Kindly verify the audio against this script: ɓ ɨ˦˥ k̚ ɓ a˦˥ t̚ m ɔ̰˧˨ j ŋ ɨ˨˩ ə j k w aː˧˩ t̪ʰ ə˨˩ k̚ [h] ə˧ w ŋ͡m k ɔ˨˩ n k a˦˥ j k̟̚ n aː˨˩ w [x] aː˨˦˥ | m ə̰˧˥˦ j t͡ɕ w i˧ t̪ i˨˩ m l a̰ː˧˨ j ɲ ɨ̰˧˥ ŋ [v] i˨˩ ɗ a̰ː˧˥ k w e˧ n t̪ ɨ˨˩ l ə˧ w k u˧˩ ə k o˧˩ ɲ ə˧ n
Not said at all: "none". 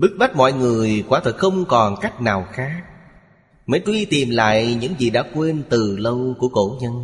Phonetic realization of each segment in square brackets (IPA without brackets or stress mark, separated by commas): x, x, z